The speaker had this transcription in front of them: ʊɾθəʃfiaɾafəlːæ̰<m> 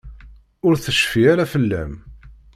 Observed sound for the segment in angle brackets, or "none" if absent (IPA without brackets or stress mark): m